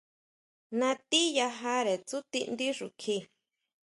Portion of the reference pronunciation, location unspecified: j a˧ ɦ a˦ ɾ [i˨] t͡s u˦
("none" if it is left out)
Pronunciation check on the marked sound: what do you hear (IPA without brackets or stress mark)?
e˨